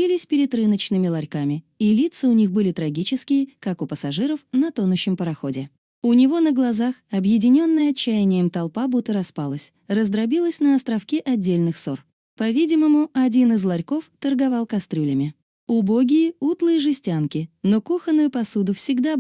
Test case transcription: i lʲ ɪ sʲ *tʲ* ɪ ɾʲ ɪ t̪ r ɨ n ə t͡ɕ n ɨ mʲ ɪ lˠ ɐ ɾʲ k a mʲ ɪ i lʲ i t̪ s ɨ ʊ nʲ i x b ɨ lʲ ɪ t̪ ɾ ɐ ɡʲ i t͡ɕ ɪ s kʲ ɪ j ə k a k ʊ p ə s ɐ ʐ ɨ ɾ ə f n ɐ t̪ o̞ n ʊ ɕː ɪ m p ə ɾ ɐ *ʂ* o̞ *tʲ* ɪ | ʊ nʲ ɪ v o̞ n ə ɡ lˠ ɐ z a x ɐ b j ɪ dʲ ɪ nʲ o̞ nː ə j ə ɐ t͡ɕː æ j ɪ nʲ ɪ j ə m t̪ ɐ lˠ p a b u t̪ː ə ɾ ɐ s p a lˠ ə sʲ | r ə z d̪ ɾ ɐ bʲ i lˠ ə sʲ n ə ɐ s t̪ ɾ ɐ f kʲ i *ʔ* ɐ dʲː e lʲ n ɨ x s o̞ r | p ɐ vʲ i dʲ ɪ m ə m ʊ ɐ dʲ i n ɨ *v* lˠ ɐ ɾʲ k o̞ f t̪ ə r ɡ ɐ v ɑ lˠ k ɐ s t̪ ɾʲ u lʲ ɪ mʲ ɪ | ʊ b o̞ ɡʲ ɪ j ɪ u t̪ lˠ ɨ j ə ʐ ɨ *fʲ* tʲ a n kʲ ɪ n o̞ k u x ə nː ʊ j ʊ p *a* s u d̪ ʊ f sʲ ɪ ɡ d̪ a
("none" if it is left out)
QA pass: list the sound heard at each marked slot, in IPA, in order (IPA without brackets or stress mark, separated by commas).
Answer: pʲ, x, dʲ, ʔ, z, sʲ, ɐ